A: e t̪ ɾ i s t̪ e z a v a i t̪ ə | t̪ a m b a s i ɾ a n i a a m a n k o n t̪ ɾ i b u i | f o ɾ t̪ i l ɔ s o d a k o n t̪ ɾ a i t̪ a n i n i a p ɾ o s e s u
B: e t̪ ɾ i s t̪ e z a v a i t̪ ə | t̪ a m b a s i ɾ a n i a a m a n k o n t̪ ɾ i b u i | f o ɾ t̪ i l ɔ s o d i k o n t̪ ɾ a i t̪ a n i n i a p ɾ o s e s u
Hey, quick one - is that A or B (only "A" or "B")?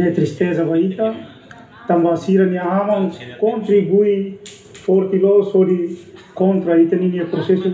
B